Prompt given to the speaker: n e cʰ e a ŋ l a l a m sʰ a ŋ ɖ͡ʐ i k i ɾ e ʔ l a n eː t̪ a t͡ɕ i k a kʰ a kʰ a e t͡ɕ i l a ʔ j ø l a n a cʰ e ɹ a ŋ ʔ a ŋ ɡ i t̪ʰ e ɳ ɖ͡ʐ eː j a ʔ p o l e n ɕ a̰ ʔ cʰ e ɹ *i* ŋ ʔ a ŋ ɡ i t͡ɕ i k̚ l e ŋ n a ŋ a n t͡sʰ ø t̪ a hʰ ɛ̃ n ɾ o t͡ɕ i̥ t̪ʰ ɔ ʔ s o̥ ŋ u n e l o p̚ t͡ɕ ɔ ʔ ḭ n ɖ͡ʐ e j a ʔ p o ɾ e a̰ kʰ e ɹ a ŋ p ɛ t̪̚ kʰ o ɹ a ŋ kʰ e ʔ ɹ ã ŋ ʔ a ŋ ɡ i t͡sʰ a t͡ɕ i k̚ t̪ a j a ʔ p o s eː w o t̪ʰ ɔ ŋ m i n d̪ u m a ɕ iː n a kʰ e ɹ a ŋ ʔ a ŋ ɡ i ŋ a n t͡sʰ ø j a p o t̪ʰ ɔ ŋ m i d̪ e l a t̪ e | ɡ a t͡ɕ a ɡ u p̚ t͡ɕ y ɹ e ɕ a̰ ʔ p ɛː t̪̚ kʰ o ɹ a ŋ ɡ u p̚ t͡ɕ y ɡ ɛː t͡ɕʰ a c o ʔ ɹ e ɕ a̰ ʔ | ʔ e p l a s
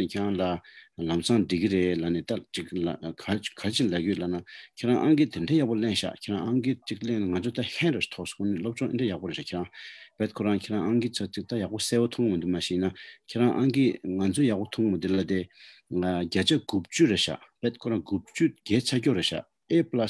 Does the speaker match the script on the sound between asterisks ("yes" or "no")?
no